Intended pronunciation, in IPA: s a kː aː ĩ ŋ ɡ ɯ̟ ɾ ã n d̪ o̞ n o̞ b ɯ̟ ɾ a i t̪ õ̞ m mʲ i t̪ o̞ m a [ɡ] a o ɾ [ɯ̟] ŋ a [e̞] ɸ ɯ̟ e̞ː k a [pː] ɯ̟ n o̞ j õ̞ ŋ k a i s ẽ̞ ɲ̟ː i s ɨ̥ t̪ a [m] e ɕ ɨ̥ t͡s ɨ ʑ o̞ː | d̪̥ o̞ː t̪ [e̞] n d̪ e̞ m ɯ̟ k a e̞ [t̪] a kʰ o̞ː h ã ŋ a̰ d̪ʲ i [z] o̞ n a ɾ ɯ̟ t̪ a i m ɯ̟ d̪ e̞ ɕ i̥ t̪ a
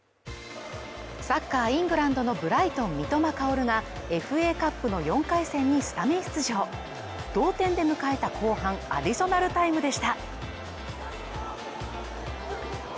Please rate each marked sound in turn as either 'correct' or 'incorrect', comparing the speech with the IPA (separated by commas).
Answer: incorrect, correct, correct, correct, correct, incorrect, correct, incorrect